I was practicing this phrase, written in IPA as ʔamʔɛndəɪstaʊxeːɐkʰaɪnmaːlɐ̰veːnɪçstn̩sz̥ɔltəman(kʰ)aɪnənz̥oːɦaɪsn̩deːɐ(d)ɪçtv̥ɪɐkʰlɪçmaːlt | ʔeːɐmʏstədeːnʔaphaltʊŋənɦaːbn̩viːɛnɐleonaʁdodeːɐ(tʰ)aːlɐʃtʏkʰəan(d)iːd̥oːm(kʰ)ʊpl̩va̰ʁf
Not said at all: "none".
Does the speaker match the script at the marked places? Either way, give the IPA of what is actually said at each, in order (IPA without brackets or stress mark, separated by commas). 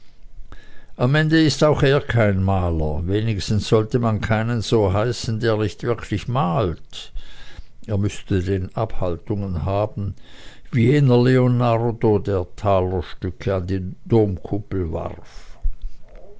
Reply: kʰ, n, tʰ, d, kʰ